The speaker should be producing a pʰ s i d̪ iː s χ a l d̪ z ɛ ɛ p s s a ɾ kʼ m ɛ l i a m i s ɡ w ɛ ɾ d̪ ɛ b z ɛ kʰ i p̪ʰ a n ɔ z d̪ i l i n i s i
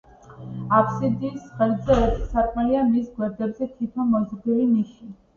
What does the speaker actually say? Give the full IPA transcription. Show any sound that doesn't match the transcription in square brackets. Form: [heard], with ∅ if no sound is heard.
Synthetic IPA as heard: a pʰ s i d̪ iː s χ [ɛ] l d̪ z ɛ ɛ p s s a ɾ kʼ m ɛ l i a m i s ɡ w ɛ ɾ d̪ ɛ b z ɛ kʰ i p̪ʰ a [m] ɔ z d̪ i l i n i [ʃ] i